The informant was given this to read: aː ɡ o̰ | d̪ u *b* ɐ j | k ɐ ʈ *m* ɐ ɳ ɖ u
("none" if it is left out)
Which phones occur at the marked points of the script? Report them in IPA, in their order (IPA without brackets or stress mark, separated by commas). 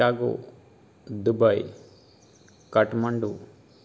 b, m